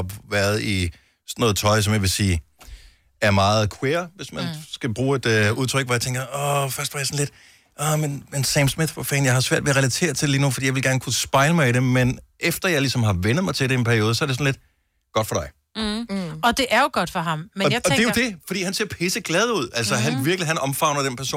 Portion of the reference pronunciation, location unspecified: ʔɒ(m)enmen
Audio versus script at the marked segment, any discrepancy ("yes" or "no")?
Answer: no